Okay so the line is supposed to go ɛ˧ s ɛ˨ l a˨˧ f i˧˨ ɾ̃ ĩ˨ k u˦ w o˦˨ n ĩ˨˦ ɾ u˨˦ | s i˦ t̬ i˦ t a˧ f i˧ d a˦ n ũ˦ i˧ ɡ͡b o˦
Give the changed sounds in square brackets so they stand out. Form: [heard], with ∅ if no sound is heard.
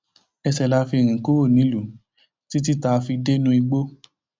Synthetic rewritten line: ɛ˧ s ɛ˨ l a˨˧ f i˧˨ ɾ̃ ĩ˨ k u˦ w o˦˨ n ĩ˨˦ [l] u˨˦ | [t] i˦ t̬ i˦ t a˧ f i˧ d [e˦] n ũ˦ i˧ ɡ͡b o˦